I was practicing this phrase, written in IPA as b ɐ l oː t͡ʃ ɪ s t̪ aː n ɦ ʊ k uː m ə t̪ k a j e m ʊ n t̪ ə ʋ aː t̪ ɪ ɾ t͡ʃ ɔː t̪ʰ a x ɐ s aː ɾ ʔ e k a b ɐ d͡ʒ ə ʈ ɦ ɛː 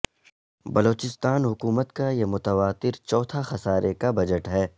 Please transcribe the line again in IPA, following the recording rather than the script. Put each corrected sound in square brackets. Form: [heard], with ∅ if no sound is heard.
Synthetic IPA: b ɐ l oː t͡ʃ ɪ s t̪ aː n ɦ ʊ k uː m ə t̪ k a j e m ʊ [∅] t̪ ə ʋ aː t̪ ɪ ɾ t͡ʃ ɔː t̪ʰ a x ɐ s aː ɾ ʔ e k a b ɐ d͡ʒ ə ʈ ɦ ɛː